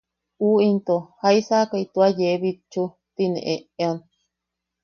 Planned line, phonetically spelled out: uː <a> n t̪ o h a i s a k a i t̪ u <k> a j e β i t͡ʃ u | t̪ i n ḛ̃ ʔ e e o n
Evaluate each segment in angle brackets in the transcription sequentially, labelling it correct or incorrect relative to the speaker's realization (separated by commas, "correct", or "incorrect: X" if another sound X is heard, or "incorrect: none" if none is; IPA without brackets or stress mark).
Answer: incorrect: i, incorrect: none